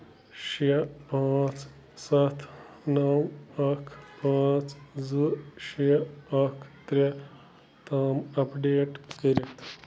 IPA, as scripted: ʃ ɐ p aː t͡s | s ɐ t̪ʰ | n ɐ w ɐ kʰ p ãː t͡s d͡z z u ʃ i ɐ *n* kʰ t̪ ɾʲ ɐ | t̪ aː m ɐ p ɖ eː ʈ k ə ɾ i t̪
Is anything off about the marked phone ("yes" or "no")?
yes